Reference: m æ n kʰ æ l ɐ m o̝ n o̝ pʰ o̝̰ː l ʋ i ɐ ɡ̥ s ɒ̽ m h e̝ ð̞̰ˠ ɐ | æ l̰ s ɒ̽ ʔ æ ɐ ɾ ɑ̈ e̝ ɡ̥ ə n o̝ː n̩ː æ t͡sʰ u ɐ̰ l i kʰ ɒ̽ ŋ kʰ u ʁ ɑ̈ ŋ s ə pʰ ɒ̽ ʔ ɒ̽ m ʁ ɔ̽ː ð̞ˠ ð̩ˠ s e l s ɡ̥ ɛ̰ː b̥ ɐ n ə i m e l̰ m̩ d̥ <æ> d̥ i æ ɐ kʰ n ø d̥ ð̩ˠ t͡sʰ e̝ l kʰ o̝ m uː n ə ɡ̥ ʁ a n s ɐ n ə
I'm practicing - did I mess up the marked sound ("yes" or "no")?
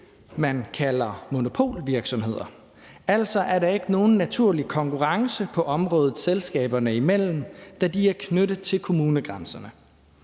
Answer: no